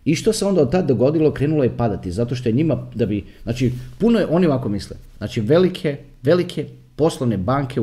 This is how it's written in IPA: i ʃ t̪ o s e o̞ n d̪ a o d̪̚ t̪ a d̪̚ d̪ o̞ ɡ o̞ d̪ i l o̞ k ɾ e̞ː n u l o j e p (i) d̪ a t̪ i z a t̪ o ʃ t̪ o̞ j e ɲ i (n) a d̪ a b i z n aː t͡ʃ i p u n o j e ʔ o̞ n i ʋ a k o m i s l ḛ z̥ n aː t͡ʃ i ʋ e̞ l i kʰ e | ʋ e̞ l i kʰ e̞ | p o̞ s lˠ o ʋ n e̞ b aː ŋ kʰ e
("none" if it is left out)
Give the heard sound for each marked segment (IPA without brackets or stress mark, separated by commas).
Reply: a, m